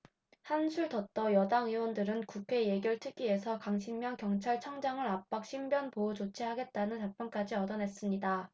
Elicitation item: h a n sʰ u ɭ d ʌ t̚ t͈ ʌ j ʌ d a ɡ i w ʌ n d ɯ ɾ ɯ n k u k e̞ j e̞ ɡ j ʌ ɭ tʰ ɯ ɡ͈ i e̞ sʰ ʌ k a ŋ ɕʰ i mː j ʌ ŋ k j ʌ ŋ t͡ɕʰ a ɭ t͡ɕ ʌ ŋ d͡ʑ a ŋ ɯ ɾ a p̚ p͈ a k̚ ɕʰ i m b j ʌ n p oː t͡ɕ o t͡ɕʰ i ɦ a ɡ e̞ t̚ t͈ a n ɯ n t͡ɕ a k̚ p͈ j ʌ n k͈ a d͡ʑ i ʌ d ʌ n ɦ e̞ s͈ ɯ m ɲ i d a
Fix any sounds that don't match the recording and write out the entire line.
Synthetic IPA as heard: h a n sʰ u ɭ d ʌ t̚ t͈ ʌ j ʌ d a ŋ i w ʌ n d ɯ ɾ ɯ n k u kʰ e̞ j e̞ ɡ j ʌ ɭ tʰ ɯ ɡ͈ i e̞ sʰ ʌ k a ŋ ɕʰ i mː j ʌ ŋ k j ʌ ŋ t͡ɕʰ a ɭ t͡ɕʰ ʌ ŋ d͡ʑ a ŋ ɯ ɾ a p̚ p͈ a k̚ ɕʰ i m b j ʌ n p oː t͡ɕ o t͡ɕʰ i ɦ a ɡ e̞ t̚ t͈ a n ɯ n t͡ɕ a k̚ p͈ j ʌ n k͈ a d͡ʑ i ʌ d ʌ n ɦ e̞ s͈ ɯ m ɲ i d a